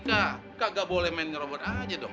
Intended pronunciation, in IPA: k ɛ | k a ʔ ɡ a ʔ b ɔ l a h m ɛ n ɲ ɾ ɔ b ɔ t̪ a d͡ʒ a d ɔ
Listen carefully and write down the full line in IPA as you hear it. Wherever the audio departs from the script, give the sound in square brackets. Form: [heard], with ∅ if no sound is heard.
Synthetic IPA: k [a] | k a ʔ ɡ a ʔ b [o] l [ɛ] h m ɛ n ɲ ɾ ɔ b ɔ t̪ a d͡ʒ a d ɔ